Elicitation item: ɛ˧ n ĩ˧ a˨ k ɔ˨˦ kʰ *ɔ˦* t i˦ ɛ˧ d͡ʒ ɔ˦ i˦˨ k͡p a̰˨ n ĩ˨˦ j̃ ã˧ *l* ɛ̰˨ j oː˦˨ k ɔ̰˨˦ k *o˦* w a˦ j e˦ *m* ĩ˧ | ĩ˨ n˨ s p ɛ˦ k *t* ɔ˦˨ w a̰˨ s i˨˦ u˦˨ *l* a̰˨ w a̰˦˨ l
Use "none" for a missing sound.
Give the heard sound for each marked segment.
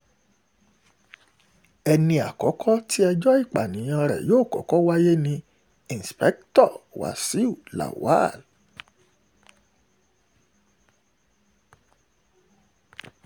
ɔ˦, ɾ, ɔ˦, n, t, l

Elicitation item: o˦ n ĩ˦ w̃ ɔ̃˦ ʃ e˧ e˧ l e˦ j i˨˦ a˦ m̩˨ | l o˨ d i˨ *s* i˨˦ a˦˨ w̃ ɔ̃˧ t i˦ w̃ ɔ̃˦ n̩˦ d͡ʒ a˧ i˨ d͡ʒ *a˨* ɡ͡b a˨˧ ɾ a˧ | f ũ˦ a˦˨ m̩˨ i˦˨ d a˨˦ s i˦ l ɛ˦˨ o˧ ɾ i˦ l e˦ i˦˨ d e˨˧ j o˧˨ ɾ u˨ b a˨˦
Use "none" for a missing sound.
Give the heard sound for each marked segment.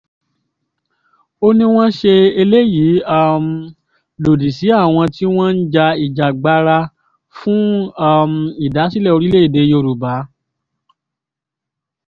s, a˨

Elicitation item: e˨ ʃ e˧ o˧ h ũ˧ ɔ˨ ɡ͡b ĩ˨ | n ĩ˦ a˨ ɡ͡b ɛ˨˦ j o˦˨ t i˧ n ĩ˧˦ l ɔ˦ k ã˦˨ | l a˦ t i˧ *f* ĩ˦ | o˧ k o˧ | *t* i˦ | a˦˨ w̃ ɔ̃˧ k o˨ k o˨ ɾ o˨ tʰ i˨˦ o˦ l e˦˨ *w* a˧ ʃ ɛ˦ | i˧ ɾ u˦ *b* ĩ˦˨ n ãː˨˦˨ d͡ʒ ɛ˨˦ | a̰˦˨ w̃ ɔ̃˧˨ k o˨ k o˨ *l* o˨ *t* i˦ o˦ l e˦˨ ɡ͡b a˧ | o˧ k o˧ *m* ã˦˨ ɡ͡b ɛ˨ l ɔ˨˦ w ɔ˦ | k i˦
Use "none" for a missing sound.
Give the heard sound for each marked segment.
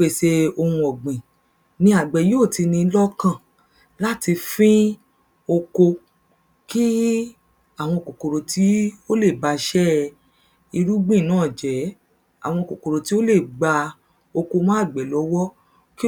f, k, b, ɡ͡b, ɾ, t, m

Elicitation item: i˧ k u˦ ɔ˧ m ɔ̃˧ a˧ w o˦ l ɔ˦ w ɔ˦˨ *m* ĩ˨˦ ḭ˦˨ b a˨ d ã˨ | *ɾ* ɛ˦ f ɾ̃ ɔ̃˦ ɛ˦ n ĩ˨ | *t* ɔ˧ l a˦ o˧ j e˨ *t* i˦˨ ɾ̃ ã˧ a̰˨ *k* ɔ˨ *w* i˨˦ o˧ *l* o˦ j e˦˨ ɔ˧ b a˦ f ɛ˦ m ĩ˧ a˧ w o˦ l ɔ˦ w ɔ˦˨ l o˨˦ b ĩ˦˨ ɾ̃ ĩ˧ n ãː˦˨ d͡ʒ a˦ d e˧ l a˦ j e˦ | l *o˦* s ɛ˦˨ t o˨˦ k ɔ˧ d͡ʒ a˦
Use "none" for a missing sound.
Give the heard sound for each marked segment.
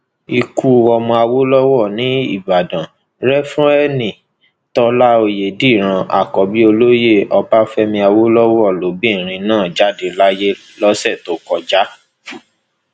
n, ɾ, t, d, k, b, l, ɔ˦

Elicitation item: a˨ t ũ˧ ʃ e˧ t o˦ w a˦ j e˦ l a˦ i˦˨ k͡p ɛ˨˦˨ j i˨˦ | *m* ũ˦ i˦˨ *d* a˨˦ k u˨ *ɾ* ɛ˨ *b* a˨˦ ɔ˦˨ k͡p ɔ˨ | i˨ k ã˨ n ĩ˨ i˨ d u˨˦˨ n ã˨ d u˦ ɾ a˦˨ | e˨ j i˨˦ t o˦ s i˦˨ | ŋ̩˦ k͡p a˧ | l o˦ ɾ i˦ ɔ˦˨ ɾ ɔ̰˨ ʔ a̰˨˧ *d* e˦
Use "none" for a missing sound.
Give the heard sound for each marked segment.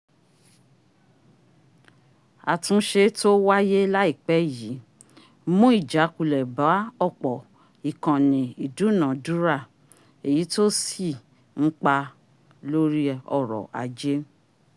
m, d͡ʒ, l, b, d͡ʒ

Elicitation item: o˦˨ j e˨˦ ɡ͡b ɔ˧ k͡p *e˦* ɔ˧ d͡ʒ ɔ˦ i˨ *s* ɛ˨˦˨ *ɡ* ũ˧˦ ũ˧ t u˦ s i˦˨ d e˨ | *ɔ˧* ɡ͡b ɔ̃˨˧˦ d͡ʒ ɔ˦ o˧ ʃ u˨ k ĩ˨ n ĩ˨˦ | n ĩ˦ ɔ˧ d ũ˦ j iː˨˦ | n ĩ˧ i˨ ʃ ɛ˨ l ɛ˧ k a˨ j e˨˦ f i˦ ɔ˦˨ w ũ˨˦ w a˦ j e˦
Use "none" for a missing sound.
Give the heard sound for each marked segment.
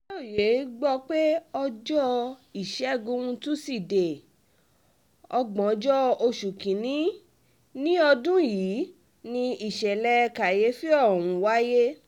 e˦, ʃ, ɡ, ɔ˧

